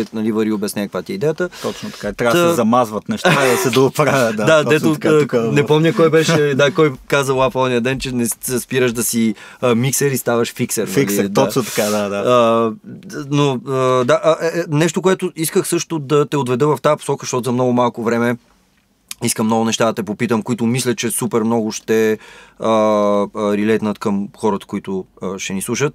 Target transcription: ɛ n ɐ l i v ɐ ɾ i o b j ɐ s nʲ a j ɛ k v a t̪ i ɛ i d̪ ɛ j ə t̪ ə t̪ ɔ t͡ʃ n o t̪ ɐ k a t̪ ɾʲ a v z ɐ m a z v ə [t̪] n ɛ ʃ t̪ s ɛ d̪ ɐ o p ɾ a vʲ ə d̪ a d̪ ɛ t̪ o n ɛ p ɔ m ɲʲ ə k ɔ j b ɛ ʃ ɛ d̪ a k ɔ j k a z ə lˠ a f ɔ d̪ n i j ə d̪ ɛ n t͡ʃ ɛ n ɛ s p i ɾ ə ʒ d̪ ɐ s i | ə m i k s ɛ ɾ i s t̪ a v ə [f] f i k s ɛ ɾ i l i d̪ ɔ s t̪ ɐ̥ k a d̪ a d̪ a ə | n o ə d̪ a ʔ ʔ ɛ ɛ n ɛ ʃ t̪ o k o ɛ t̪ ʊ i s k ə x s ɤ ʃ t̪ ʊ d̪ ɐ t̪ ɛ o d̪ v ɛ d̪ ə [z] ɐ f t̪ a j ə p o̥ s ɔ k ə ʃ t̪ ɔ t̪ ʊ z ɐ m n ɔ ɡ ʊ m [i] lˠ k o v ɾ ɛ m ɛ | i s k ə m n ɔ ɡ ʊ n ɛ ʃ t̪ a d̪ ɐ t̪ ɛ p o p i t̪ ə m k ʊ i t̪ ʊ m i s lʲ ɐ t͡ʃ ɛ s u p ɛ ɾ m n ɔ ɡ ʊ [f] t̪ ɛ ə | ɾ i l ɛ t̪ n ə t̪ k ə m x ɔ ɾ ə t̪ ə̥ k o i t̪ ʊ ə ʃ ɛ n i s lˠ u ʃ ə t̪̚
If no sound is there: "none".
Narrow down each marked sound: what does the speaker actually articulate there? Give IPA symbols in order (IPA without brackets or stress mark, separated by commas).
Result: t̪, ʃ, v, a, ʃ